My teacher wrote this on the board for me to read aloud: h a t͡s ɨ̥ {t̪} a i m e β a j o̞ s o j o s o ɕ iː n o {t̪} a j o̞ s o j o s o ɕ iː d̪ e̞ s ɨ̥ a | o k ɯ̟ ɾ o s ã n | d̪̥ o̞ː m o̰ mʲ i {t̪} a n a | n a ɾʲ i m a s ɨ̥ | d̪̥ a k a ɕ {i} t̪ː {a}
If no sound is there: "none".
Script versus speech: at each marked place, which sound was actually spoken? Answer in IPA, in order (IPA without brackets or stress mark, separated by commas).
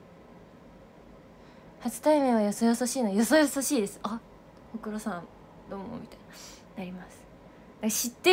t̪, none, t̪, i, e